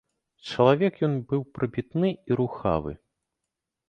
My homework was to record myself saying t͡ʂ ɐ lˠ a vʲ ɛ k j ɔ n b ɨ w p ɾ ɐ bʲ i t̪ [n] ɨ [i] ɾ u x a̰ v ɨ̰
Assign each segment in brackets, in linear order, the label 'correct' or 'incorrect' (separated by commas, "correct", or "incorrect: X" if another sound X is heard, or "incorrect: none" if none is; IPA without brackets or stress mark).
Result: correct, correct